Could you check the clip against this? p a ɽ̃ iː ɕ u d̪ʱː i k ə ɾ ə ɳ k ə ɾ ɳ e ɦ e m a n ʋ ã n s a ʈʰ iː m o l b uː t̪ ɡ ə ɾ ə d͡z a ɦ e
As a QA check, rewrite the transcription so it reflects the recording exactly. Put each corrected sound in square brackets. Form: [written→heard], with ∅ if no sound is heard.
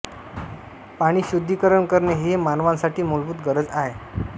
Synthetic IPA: p a ɽ̃ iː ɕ u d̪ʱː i k ə ɾ ə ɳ k ə ɾ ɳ e ɦ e m a n ʋ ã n s a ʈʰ iː m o l b uː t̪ ɡ ə ɾ ə d͡z a ɦ e